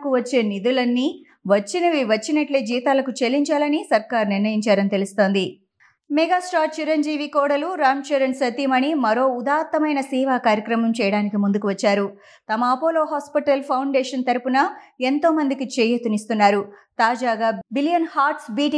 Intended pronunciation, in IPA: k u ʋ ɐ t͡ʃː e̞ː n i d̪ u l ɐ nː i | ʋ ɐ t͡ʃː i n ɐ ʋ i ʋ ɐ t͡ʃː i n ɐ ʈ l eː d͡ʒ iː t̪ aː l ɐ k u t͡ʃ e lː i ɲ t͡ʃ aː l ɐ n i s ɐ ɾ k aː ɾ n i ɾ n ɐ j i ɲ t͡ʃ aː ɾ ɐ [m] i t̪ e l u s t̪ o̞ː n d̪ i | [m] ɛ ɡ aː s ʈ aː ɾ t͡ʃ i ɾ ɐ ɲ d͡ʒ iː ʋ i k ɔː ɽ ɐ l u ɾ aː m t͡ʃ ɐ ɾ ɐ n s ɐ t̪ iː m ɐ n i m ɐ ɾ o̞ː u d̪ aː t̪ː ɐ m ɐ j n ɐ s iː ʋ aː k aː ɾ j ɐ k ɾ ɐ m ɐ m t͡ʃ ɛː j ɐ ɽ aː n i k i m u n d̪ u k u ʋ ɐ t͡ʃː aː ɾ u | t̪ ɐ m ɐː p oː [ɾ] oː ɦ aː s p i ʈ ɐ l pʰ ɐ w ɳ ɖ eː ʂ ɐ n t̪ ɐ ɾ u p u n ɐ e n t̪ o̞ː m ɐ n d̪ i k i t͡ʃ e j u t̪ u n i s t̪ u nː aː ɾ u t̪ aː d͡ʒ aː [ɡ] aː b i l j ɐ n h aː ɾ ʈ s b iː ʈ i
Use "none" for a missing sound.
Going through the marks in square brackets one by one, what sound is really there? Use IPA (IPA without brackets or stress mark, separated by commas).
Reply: n, m, l, ɡ